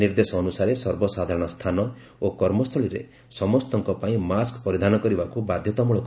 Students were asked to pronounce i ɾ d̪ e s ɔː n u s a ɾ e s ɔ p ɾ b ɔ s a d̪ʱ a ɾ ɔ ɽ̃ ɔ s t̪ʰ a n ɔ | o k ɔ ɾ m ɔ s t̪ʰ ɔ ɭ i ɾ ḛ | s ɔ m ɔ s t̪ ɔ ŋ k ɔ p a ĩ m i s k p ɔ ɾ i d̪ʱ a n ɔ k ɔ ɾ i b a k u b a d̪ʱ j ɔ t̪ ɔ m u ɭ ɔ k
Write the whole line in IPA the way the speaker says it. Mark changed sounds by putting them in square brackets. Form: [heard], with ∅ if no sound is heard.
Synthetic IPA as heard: i ɾ d̪ e s ɔː n u s a ɾ e s ɔ [∅] ɾ b ɔ s a d̪ʱ a ɾ ɔ ɽ̃ ɔ s t̪ʰ a n ɔ | o k ɔ ɾ m ɔ s t̪ʰ ɔ ɭ i ɾ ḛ | s ɔ m ɔ s t̪ ɔ ŋ k ɔ p a ĩ m [a] s k p ɔ ɾ i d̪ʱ a n ɔ k ɔ ɾ i b a k u b a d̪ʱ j ɔ t̪ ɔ m u ɭ ɔ k